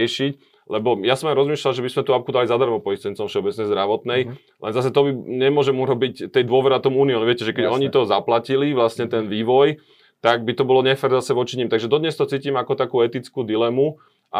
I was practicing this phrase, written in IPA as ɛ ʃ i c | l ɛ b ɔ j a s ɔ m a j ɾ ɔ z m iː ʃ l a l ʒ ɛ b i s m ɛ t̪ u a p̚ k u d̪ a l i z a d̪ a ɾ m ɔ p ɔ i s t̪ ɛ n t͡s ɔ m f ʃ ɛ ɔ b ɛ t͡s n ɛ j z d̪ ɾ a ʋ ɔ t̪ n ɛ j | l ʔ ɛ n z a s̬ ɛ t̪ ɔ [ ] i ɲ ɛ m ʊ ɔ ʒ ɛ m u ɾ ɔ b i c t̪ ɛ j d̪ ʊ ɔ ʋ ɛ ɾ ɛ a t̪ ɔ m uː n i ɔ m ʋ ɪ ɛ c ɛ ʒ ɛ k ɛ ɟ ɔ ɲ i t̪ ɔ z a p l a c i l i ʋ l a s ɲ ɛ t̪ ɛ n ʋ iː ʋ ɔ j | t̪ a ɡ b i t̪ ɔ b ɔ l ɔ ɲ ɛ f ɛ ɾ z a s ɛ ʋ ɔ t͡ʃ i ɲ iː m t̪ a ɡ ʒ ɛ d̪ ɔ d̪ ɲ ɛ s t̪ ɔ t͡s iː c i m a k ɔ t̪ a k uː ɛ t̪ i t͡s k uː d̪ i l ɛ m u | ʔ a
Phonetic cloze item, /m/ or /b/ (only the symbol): b